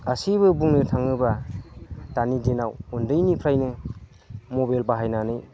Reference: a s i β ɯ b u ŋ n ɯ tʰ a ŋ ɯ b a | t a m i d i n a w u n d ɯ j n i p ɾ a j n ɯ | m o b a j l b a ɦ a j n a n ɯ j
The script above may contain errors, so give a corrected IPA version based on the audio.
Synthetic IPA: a s i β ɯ b u ŋ n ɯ tʰ a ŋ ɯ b a | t a n i d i n a w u n d ɯ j n i pʰ ɾ a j n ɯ | m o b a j l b a ɦ a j n a n ɯ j